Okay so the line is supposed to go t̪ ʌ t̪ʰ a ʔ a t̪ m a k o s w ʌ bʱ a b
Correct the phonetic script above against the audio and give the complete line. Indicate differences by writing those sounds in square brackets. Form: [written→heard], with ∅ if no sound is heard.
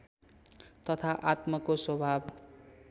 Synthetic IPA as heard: t̪ ʌ t̪ʰ a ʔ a t̪ m [a→ʌ] k o s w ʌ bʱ a b